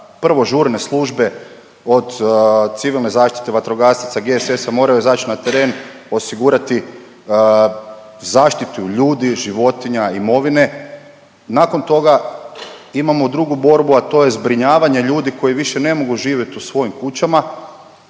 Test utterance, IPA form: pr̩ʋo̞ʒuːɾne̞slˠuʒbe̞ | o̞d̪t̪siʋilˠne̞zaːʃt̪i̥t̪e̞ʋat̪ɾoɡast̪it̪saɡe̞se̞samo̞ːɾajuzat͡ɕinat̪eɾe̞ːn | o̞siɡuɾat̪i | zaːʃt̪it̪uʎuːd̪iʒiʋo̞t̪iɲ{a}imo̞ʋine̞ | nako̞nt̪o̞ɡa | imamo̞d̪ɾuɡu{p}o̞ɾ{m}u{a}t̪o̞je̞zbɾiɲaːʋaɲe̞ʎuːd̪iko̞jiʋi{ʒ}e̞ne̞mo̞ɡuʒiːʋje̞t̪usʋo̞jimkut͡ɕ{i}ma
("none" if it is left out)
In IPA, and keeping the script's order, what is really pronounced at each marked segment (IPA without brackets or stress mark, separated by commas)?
a, b, b, a, ʃ, a